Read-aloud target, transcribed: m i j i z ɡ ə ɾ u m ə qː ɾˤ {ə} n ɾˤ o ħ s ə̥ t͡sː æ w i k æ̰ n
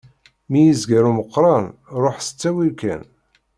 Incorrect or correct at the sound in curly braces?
incorrect: ɑ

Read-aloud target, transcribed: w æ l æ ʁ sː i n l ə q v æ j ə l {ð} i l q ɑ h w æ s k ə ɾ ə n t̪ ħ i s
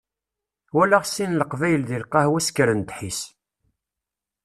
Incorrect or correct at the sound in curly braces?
correct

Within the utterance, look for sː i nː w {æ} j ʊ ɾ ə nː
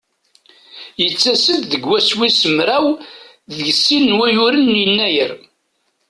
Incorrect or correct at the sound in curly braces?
correct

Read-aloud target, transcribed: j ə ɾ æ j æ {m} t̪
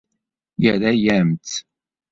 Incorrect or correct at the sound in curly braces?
correct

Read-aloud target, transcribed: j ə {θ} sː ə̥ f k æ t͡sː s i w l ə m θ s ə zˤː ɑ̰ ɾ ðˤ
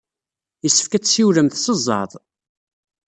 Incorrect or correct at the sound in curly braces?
incorrect: none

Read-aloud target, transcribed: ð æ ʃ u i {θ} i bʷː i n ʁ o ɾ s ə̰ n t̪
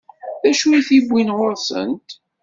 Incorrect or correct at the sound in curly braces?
correct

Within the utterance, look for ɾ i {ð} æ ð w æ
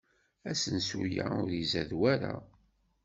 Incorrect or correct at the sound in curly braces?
incorrect: z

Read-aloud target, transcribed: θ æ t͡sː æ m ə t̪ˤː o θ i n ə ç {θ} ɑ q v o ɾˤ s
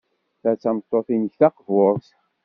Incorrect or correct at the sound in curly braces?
correct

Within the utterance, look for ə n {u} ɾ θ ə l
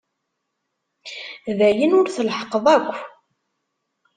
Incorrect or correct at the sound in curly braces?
incorrect: ʊ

